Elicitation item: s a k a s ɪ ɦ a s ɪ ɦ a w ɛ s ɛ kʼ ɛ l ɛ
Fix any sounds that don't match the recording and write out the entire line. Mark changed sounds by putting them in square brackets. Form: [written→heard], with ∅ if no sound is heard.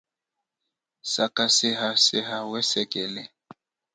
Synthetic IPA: s a k a s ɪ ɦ a s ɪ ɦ a w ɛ s ɛ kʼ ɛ l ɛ